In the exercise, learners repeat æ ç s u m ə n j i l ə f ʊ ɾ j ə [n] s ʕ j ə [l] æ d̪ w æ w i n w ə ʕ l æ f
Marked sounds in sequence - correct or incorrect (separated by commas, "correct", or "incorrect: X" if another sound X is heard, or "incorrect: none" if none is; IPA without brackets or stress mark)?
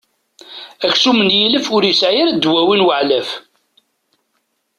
incorrect: none, incorrect: ɾ